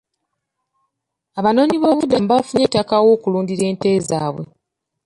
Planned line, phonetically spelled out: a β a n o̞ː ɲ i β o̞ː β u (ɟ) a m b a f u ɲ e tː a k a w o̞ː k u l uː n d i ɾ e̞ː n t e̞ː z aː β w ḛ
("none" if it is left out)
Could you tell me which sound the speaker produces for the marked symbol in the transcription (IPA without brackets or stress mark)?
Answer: d